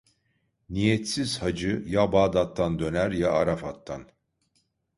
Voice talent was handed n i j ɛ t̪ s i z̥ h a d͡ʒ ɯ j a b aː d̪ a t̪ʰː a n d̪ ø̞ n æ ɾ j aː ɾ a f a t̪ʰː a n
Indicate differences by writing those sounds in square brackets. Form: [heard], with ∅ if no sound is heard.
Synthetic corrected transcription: n i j ɛ t̪ s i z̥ h a d͡ʒ ɯ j a b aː d̪ a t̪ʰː a n d̪ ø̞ n æ ɾ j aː ɾ a f a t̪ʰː a n